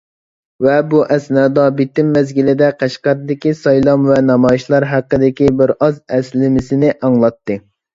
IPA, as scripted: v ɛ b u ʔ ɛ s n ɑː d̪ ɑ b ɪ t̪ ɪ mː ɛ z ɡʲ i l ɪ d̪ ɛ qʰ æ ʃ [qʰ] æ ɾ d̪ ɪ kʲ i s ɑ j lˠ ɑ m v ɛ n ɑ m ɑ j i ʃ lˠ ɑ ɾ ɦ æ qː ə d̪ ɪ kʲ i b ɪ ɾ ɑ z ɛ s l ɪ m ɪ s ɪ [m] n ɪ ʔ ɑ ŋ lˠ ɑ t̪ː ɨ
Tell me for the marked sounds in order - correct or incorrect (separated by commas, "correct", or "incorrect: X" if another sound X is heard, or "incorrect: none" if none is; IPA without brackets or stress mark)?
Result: incorrect: q, incorrect: none